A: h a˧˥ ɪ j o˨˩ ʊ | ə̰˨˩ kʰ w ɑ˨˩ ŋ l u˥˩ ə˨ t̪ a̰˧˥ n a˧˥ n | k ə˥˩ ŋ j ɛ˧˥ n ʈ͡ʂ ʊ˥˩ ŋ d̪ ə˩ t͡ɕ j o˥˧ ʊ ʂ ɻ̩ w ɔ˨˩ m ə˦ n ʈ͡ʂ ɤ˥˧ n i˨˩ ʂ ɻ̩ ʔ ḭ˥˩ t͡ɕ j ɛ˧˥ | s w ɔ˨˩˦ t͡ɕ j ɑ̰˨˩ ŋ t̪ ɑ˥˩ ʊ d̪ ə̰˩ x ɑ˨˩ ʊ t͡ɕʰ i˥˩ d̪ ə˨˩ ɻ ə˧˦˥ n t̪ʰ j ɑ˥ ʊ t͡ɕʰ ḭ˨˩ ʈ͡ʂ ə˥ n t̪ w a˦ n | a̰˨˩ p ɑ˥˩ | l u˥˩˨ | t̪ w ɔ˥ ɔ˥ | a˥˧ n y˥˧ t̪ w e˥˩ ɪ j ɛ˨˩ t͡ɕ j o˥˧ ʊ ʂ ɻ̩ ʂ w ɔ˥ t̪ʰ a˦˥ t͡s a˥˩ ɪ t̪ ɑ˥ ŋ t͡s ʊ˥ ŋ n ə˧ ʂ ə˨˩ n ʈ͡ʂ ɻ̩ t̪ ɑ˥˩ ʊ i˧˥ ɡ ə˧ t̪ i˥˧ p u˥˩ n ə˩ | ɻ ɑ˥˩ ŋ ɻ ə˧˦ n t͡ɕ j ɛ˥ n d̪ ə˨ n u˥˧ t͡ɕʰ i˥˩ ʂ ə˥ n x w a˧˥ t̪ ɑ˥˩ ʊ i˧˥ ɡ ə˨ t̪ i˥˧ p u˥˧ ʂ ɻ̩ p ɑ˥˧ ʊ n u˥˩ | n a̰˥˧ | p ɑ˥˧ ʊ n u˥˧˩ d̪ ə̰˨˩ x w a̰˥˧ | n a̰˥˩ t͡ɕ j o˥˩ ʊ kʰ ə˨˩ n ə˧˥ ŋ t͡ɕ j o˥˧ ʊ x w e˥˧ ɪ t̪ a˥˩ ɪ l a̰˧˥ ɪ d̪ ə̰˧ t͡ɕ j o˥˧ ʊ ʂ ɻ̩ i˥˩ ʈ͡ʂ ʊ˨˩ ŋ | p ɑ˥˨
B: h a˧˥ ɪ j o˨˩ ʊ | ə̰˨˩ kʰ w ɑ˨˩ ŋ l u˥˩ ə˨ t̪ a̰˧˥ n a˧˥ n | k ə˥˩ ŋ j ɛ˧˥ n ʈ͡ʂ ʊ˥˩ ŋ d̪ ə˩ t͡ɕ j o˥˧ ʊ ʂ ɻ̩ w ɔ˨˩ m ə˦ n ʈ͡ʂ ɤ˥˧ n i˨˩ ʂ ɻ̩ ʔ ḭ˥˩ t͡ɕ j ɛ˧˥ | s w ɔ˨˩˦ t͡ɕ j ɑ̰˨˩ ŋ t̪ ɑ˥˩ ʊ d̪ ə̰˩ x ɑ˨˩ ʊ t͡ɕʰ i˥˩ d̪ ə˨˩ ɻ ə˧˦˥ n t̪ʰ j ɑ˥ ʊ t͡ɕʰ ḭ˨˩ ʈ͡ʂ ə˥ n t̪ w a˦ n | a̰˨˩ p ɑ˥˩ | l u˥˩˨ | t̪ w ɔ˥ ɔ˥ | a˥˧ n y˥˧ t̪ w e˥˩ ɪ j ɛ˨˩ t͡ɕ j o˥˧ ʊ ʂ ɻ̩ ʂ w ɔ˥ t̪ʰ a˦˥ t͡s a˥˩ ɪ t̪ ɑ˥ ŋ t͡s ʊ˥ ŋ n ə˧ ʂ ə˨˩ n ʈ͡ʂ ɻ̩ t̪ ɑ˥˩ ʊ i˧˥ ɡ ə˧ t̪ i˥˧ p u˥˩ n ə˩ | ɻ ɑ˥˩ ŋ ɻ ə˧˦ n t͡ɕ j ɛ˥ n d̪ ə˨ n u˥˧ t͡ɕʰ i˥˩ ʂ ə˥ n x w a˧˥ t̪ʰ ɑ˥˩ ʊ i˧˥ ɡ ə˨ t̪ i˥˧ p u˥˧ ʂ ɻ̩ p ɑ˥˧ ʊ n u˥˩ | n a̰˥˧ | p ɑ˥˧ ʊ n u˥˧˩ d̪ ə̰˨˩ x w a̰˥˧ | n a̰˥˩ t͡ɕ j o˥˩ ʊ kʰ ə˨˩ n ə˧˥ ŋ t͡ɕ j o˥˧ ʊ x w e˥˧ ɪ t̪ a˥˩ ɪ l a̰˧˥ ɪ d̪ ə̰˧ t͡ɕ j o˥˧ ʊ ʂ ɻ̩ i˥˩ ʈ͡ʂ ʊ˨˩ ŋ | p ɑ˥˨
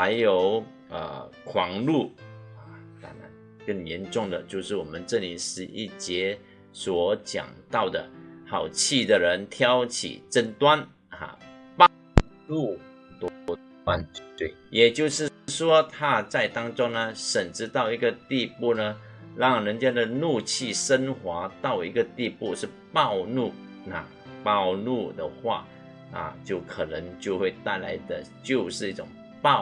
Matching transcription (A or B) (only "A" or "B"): A